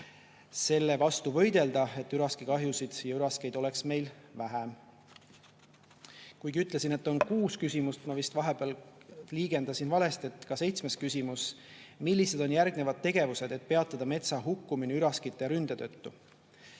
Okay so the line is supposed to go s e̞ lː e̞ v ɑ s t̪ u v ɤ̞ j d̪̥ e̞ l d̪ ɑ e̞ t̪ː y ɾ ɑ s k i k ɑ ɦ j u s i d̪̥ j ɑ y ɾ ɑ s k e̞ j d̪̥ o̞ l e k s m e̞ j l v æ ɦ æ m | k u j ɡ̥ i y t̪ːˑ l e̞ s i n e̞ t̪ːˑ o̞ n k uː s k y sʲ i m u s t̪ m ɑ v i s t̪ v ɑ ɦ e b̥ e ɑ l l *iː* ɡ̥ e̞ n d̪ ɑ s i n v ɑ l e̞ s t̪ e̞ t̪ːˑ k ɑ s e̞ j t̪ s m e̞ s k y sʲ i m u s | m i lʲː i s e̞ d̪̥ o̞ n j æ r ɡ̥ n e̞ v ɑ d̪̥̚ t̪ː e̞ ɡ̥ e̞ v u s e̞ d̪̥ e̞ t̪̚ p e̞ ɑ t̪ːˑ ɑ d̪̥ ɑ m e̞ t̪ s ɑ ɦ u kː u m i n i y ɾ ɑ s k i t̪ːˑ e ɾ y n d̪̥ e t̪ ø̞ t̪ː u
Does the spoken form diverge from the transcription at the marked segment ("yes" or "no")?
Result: no